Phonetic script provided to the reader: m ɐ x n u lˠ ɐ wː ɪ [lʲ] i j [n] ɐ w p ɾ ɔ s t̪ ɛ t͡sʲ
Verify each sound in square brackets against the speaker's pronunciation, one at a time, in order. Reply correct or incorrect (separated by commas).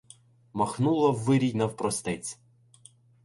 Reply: incorrect, correct